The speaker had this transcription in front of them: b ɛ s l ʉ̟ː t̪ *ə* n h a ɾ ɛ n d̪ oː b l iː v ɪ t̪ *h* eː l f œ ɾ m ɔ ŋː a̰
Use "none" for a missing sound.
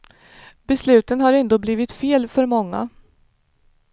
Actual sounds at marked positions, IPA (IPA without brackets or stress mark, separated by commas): ə, f